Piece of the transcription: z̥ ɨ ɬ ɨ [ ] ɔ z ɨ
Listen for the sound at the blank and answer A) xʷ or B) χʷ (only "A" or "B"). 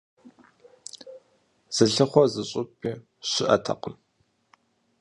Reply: B